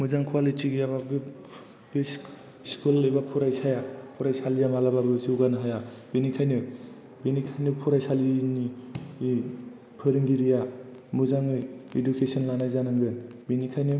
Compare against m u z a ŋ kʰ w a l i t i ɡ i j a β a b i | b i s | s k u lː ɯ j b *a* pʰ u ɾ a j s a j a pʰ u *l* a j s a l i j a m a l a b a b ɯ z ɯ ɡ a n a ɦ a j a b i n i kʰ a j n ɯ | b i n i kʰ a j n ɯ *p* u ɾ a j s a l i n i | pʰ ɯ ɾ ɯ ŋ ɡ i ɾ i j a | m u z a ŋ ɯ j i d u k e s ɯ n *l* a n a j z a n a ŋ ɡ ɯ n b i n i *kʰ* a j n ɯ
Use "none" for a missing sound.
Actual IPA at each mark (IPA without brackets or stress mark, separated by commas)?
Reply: a, ɾ, pʰ, l, kʰ